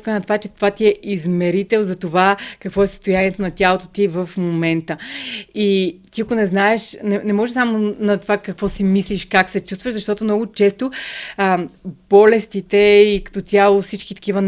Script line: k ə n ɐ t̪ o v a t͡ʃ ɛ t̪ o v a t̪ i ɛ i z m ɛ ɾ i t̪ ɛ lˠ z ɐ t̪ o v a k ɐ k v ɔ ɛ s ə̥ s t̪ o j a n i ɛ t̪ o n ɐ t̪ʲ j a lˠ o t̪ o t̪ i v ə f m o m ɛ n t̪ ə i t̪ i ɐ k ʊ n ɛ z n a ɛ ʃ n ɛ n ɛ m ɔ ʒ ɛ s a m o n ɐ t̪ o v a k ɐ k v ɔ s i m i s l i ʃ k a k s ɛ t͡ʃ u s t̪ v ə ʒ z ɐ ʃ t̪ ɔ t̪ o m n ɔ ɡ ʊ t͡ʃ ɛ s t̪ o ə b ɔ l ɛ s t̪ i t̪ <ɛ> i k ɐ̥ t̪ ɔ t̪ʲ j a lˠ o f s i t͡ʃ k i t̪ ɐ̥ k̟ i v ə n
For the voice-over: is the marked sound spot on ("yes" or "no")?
yes